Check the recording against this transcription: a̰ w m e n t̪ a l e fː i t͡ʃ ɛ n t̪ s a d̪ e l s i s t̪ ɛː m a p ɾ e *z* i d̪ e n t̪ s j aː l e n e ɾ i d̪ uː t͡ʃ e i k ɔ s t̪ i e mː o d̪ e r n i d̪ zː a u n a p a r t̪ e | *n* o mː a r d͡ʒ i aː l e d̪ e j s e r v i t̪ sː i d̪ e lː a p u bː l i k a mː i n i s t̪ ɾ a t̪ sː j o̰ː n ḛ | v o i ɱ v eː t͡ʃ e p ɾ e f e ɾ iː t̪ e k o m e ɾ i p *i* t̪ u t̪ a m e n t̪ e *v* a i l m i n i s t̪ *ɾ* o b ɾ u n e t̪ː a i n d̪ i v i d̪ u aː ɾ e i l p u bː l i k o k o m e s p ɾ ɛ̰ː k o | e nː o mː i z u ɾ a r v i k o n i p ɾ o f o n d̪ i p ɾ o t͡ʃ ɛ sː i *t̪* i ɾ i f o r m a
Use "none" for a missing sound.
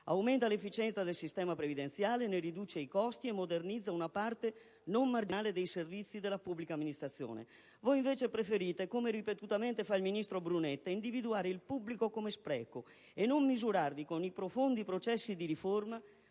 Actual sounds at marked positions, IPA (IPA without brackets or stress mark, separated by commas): v, n, e, f, ɾ, d̪